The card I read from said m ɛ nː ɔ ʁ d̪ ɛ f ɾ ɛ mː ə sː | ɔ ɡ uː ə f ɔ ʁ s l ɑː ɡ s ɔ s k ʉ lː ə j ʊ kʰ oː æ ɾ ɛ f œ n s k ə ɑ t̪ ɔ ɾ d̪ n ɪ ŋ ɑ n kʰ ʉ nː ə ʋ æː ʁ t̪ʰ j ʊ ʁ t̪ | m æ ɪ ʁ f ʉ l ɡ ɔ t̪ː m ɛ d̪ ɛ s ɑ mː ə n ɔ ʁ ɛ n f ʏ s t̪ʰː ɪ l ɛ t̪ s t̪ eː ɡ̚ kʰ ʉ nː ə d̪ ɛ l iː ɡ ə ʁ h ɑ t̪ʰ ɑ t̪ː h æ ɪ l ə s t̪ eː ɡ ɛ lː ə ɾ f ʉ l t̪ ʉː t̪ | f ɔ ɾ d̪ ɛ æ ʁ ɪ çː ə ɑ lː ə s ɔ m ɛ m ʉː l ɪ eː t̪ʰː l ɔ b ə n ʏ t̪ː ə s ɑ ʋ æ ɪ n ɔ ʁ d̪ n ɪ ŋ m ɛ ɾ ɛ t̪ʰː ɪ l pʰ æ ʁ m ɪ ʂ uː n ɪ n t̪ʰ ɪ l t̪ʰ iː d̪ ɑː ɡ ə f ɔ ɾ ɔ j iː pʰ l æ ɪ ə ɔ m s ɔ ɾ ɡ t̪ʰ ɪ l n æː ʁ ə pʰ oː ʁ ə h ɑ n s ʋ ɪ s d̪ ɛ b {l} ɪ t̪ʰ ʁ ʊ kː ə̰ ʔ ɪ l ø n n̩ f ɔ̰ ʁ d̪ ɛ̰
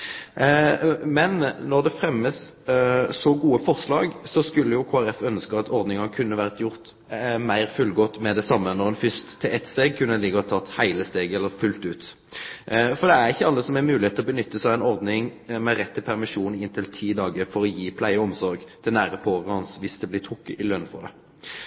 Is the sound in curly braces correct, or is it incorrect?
correct